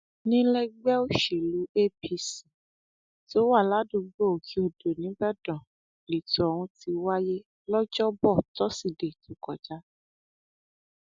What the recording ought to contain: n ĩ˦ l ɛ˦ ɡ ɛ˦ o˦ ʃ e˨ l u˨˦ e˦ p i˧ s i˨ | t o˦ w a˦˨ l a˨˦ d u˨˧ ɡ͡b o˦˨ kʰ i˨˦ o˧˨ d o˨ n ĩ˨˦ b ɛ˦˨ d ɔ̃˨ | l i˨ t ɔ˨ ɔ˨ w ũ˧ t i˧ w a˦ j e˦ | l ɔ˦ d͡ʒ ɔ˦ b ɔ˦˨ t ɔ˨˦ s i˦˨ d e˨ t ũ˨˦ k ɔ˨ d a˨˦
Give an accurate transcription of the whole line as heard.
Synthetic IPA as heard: n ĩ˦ l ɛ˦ ɡ͡b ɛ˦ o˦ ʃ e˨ l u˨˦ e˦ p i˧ s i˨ | t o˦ w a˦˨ l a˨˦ d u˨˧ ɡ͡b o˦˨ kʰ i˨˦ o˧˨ d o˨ n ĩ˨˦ b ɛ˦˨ d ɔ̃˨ | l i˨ t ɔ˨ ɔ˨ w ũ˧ t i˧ w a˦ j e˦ | l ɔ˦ d͡ʒ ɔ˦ b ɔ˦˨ t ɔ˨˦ s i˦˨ d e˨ t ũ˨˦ k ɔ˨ d͡ʒ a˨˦